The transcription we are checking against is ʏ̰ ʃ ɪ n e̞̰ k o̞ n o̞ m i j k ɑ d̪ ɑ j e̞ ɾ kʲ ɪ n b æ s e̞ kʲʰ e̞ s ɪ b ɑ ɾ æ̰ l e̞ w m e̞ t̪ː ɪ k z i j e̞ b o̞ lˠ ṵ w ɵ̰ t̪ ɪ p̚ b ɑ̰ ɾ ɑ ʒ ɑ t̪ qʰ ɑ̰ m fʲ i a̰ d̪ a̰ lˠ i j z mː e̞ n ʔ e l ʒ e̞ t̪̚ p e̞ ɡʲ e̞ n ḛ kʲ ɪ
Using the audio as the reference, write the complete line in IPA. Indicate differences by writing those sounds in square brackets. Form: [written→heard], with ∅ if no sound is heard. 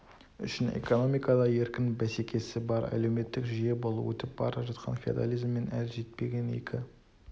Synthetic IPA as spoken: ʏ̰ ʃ ɪ n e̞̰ k o̞ n o̞ m i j k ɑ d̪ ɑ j e̞ ɾ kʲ ɪ n b æ s e̞ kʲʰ e̞ s ɪ b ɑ ɾ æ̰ l e̞ w m e̞ t̪ː ɪ k [z→ʒ] i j e̞ b o̞ lˠ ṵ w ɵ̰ t̪ ɪ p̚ b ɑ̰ ɾ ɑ ʒ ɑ t̪ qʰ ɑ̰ [m→n] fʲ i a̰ d̪ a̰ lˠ i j z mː e̞ n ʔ [e→æ] l ʒ e̞ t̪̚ p e̞ ɡʲ e̞ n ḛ kʲ ɪ